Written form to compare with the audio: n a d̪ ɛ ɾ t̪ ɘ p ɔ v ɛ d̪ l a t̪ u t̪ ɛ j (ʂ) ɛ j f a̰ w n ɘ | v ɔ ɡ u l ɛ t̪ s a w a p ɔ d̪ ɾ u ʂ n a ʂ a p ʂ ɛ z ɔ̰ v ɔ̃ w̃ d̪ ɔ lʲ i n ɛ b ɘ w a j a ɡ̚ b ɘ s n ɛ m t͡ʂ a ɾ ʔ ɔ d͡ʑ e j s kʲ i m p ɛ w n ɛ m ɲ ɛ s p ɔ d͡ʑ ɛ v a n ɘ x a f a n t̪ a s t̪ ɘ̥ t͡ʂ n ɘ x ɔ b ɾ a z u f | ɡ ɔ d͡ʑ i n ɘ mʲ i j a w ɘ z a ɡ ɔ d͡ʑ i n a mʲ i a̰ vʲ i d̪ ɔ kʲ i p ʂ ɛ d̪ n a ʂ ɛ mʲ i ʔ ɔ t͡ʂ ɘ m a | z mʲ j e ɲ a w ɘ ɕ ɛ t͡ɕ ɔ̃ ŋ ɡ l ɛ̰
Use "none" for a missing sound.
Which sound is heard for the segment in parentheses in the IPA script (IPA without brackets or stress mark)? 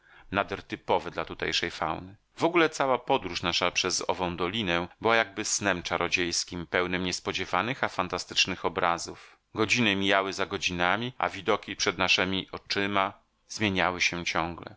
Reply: ʂ